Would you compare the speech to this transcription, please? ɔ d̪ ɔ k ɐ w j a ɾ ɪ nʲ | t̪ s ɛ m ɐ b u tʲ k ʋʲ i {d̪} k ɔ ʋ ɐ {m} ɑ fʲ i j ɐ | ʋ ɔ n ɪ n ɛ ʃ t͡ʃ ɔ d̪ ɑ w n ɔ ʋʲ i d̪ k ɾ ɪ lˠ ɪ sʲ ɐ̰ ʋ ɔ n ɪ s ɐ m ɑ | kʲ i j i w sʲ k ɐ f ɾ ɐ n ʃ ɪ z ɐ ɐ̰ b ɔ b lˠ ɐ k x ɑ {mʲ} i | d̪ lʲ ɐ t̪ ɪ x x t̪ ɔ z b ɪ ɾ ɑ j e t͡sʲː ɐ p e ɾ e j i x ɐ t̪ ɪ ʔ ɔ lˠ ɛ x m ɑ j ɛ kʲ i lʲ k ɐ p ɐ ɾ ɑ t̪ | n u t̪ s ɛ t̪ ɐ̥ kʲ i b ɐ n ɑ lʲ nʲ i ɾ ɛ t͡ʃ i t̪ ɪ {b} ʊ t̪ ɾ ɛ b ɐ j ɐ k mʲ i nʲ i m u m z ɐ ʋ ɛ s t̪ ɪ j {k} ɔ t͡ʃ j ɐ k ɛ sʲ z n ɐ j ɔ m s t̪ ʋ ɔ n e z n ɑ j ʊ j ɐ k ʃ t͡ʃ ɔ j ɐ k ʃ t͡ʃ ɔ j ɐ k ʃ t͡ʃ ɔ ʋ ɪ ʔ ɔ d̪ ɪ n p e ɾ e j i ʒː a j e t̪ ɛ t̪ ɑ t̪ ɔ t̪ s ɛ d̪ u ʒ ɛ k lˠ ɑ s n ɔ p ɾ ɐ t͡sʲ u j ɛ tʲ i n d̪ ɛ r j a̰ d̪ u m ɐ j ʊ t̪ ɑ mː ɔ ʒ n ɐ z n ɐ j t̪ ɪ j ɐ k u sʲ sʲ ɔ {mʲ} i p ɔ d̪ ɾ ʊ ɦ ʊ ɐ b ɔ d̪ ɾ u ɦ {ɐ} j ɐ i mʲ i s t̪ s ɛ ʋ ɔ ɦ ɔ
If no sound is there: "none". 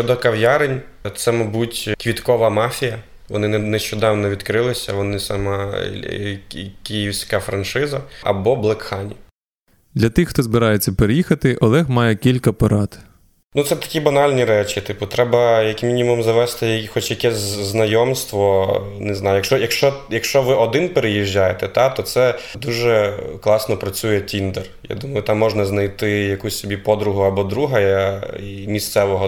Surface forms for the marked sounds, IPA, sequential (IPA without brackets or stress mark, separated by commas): t̪, m, nʲ, p, x, bʲ, ɐ